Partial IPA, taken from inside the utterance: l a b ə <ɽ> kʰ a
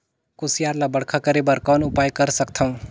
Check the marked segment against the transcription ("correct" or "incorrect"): correct